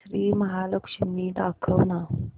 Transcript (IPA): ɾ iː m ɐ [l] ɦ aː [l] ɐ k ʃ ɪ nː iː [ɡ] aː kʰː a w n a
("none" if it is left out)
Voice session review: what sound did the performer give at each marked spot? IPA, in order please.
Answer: none, l, d

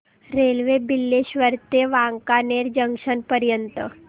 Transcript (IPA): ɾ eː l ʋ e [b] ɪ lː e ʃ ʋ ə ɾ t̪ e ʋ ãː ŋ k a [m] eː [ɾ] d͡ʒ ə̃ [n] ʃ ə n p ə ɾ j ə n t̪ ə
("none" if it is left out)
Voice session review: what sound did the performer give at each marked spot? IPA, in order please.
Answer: b, n, ɾ, ŋ

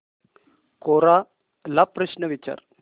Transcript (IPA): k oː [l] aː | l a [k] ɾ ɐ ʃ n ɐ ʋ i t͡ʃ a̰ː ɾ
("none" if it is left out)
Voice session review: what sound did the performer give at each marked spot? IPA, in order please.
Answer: ɾ, p

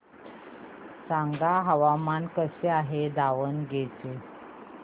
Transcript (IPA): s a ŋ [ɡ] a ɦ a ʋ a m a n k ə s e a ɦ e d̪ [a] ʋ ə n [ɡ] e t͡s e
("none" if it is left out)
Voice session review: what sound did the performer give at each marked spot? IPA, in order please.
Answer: ɡ, a, ɡ

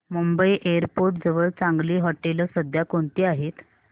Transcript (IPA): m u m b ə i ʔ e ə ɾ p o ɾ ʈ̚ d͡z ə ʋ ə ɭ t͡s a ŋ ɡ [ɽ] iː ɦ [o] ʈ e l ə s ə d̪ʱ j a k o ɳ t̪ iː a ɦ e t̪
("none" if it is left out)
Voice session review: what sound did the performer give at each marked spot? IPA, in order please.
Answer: l, ɔ

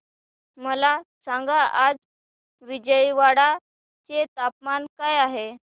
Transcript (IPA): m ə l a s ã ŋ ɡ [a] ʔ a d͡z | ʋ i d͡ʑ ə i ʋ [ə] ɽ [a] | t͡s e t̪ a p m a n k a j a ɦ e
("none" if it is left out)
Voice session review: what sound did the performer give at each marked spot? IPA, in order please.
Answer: a, a, a

